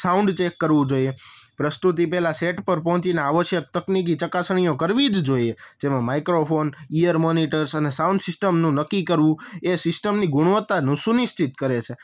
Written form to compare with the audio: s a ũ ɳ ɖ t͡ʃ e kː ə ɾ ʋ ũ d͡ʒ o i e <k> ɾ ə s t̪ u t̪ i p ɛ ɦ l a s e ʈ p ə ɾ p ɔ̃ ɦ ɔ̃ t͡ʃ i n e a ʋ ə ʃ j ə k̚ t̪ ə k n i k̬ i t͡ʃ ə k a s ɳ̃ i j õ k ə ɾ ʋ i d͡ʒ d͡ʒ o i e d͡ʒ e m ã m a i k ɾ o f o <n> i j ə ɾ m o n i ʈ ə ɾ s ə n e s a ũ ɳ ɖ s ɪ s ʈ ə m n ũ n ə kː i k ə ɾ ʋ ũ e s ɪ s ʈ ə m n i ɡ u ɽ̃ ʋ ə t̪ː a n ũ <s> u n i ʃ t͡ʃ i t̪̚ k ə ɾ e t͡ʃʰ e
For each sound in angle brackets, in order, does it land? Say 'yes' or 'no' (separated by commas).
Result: no, yes, yes